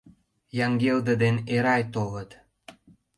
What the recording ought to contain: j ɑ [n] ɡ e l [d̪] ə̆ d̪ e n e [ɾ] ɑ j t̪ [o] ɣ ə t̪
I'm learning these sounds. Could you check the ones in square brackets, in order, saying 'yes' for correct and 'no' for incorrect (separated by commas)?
no, yes, yes, yes